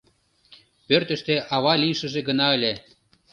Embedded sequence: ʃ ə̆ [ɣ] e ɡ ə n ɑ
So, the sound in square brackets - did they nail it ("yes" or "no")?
no